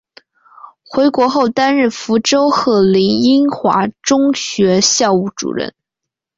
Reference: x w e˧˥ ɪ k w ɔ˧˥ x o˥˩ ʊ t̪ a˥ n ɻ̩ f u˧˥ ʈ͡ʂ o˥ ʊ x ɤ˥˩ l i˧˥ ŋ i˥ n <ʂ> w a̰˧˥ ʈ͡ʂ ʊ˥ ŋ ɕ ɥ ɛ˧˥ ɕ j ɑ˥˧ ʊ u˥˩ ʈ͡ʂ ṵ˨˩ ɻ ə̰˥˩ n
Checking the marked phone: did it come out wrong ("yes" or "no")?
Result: yes